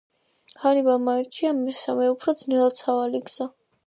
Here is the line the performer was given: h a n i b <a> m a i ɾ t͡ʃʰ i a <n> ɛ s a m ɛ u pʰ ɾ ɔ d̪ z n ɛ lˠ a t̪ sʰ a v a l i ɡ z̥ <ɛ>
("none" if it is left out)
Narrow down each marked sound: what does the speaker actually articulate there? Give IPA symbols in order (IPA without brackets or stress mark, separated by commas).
a, m, a